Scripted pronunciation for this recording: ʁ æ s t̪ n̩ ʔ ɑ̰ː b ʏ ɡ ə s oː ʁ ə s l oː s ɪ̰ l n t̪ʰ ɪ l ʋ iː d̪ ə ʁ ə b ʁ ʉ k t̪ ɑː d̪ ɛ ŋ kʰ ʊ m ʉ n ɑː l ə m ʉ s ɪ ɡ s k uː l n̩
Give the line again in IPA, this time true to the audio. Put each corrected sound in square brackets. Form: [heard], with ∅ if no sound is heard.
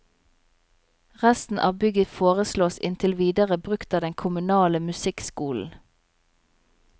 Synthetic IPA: ʁ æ s t̪ n̩ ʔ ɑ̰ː b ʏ ɡ ə [f] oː ʁ ə s l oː s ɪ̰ [∅] n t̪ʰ ɪ l ʋ iː d̪ ə ʁ ə b ʁ ʉ k t̪ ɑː d̪ ɛ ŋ kʰ ʊ m ʉ n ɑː l ə m ʉ s ɪ [k] s k uː l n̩